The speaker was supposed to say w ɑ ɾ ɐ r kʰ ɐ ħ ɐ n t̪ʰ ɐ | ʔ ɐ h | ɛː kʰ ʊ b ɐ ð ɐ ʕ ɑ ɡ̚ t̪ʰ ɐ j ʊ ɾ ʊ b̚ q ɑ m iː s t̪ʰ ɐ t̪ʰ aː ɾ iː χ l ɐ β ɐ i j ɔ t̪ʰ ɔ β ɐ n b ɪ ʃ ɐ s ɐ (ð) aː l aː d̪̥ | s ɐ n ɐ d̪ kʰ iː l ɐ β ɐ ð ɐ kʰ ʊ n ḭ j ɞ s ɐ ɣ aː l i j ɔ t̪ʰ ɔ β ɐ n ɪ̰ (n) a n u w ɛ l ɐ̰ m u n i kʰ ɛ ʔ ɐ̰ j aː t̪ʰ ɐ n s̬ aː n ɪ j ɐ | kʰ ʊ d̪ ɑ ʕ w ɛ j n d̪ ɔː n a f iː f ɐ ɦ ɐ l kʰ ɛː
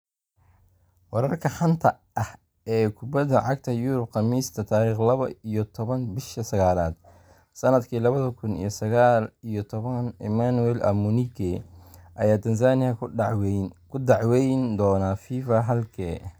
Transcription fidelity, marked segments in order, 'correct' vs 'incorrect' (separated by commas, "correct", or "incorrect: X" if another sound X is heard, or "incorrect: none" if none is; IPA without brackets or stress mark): incorrect: ɣ, incorrect: m